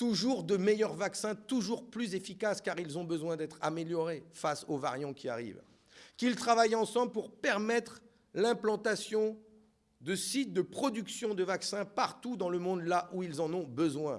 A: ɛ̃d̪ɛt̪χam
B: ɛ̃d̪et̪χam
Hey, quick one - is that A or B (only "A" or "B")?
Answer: A